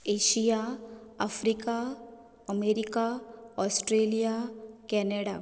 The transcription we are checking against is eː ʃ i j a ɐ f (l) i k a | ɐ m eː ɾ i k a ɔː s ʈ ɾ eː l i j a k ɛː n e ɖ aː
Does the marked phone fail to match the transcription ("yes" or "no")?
yes